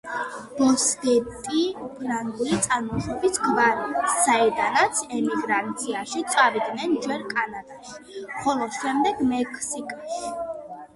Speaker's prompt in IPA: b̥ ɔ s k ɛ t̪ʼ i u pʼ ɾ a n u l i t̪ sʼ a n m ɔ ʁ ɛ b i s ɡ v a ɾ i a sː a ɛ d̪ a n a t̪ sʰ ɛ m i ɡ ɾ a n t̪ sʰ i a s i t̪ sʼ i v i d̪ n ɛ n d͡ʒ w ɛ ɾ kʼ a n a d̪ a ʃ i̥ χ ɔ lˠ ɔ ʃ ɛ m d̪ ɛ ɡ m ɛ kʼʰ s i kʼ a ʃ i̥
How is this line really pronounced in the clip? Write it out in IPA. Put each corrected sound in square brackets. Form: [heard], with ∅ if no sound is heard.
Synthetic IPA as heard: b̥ ɔ s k ɛ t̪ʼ i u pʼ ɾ a n u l i t̪ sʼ a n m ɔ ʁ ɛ b i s ɡ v a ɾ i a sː a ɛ d̪ a n a t̪ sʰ ɛ m i ɡ ɾ a n t̪ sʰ i a [ʃ] i t̪ sʼ [a] v i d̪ n ɛ n d͡ʒ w ɛ ɾ kʼ a n a d̪ a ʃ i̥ χ ɔ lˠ ɔ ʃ ɛ m d̪ ɛ ɡ m ɛ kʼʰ s i kʼ a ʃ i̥